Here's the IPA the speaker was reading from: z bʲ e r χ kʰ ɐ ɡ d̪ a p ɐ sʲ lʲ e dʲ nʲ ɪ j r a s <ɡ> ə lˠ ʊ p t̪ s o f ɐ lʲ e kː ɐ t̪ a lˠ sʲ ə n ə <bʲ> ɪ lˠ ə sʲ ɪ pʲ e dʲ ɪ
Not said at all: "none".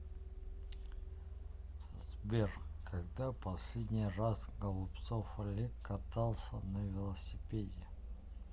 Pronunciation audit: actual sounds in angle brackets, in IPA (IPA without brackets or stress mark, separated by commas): ɡ, vʲ